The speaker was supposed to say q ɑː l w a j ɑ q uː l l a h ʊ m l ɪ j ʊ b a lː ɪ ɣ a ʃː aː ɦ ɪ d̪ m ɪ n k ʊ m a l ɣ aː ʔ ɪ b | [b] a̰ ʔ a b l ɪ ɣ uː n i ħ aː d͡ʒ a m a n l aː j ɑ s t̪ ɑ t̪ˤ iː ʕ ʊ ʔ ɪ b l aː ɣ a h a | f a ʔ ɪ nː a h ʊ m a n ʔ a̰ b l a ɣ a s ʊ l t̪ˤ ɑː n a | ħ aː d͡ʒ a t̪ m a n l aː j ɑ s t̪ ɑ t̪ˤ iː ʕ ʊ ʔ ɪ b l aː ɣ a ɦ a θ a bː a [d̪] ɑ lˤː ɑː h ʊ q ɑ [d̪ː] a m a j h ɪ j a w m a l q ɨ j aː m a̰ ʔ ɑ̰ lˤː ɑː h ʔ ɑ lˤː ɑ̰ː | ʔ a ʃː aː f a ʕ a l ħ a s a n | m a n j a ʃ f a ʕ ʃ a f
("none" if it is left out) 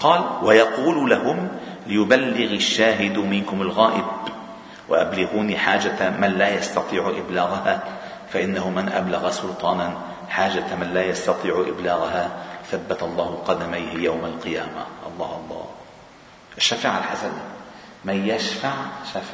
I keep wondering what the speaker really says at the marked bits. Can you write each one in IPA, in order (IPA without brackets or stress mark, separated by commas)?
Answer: w, t̪, d̪